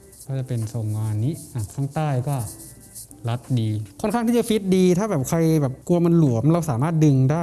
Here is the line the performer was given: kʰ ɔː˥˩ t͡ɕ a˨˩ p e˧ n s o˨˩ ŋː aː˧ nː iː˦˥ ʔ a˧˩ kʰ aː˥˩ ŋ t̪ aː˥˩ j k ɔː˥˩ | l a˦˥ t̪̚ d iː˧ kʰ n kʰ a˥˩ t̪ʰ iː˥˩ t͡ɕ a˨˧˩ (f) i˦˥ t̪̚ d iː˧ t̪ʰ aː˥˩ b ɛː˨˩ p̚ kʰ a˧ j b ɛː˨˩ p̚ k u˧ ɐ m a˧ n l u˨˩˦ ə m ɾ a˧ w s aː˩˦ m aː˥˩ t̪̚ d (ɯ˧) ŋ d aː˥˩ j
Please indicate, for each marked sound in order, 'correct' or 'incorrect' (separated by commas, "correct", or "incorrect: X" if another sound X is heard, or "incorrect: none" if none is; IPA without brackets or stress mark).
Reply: correct, correct